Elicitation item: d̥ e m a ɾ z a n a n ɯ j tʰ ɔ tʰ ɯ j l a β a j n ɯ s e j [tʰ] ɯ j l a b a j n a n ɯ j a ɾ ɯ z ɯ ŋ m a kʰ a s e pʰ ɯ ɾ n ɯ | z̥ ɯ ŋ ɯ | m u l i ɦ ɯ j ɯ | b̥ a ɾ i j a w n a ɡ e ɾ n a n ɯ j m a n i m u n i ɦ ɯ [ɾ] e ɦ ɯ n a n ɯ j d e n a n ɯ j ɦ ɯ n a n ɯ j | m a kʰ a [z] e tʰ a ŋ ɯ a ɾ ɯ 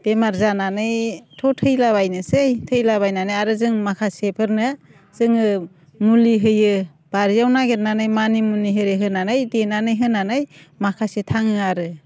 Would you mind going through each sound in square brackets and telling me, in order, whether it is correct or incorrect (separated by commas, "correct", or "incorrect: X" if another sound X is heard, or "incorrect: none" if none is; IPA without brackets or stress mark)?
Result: correct, correct, incorrect: s